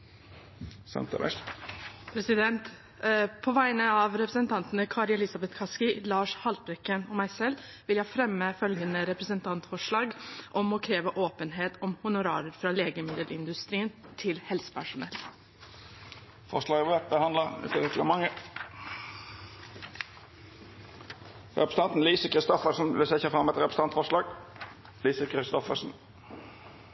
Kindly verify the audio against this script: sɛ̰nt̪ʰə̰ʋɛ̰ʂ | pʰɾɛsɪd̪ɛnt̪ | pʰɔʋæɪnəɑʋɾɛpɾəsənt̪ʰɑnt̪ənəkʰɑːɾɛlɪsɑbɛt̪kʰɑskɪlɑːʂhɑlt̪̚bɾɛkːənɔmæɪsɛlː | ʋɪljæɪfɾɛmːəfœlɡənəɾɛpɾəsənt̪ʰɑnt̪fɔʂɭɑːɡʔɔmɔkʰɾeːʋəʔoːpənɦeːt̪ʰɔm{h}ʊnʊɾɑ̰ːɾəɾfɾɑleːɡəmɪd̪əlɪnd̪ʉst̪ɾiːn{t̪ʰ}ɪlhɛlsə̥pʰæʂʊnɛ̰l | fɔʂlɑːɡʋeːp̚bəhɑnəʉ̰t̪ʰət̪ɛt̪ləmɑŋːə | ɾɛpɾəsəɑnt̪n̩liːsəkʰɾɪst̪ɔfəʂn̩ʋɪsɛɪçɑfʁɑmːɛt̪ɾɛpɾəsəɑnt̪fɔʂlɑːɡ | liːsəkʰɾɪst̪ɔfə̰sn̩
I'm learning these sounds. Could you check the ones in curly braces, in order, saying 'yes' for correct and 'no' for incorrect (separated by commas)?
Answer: yes, yes